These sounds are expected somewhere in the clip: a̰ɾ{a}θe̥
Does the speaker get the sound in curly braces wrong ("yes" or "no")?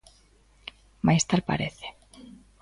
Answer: yes